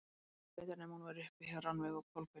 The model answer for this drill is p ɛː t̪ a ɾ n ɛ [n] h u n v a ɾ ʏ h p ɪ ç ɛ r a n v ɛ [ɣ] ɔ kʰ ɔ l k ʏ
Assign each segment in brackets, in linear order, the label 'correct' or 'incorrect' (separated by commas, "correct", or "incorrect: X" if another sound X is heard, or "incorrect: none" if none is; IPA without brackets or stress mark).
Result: incorrect: m, correct